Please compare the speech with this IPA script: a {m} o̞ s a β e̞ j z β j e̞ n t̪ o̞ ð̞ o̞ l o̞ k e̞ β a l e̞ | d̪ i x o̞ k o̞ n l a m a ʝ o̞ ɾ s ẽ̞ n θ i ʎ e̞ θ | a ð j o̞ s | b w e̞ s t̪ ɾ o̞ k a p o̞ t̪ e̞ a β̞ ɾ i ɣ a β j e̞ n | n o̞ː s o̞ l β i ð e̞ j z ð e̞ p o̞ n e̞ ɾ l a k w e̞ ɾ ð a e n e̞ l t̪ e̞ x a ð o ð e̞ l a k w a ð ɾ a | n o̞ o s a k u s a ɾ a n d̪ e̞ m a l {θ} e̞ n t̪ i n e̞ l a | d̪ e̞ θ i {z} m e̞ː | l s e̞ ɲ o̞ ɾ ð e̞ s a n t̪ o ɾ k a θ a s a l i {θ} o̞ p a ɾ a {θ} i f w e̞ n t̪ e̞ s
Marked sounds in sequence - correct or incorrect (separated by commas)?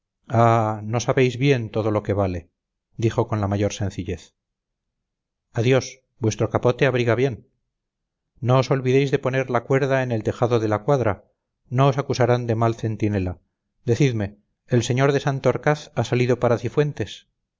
incorrect, correct, incorrect, incorrect, correct